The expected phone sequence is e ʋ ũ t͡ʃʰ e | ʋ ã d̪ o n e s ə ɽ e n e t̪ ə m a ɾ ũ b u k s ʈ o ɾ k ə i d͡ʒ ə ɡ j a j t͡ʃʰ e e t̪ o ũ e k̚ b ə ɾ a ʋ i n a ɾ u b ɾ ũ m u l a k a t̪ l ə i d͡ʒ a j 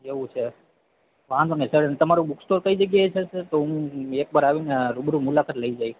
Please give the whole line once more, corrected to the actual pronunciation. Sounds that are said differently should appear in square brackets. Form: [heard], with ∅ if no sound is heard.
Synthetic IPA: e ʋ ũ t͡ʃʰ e | ʋ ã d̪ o n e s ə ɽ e n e t̪ ə m a ɾ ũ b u k s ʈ o ɾ k ə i d͡ʒ ə ɡ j a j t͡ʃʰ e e t̪ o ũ e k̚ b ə ɾ a ʋ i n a ɾ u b ɾ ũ m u l a k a t̪ l ə i d͡ʒ a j